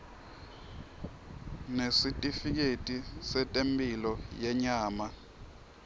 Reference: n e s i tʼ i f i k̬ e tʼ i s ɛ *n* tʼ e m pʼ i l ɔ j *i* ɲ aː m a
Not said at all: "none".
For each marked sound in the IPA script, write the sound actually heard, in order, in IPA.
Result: none, ɛ

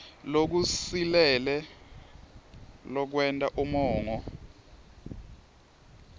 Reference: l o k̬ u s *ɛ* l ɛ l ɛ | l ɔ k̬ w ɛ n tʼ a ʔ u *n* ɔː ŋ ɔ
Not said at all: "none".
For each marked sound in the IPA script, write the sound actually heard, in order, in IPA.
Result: i, m

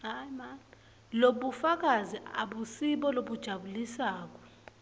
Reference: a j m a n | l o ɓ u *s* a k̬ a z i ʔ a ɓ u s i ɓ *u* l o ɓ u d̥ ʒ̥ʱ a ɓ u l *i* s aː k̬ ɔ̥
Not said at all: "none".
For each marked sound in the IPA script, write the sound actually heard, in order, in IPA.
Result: f, ɔ, i

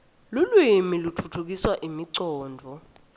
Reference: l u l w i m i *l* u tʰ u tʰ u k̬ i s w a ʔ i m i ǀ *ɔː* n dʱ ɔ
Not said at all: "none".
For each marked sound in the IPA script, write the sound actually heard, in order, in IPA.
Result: l, ɔː

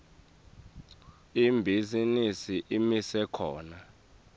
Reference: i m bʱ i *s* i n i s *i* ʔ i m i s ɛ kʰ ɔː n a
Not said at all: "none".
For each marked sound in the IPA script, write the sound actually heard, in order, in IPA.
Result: z, i

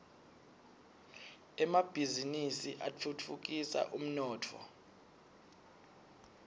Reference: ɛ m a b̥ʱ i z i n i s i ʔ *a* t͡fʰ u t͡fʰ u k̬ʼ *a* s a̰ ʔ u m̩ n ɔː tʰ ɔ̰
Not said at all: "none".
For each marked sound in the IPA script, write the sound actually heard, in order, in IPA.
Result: a, i

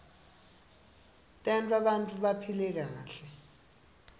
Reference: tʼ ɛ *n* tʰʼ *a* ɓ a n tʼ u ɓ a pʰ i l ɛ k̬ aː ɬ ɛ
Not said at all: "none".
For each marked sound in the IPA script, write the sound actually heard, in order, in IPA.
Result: n, a

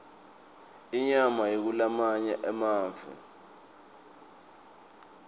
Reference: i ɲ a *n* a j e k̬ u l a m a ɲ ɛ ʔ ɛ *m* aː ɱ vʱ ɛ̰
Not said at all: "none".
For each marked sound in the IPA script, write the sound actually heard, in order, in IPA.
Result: m, m

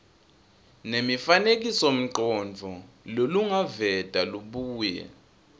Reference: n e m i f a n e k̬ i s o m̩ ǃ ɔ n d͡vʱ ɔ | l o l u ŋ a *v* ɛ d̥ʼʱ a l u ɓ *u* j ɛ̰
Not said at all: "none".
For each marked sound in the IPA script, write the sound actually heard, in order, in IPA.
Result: v, uː

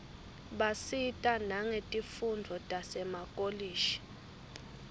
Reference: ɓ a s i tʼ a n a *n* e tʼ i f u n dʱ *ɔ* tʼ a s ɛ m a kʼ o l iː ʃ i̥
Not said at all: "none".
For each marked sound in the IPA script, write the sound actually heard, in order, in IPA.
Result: ŋ, ɔ

